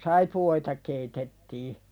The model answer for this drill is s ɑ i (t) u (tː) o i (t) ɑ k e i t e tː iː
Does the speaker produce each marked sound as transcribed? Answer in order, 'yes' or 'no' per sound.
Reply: no, no, yes

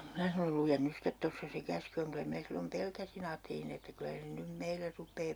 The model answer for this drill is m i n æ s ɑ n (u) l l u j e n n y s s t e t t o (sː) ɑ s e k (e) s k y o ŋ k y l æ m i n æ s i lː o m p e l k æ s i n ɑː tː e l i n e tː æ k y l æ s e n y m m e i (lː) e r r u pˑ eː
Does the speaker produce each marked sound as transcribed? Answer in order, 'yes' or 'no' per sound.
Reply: no, yes, no, yes

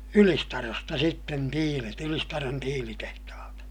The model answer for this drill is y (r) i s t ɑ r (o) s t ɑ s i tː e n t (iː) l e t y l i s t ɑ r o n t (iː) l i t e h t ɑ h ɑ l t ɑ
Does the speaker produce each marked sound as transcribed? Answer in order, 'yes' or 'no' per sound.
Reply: no, yes, yes, yes

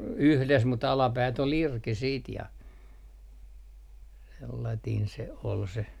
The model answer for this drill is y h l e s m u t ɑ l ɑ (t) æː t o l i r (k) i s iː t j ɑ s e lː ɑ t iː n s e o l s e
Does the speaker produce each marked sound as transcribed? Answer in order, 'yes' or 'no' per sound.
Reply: no, yes

